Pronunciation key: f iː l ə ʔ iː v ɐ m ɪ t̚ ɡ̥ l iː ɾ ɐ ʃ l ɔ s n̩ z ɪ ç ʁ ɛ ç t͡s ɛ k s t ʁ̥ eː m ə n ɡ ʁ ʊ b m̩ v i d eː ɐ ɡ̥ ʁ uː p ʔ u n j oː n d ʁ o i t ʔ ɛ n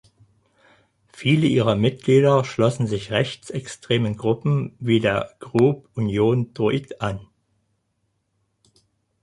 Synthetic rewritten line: f iː l ə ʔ iː ʁ ɐ m ɪ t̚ ɡ̥ l iː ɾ ɐ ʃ l ɔ s n̩ z ɪ ç ʁ ɛ ç t͡s ɛ k s t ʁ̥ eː m ə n ɡ ʁ ʊ p m̩ v iː d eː ɐ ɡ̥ ʁ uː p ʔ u n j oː n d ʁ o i t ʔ a n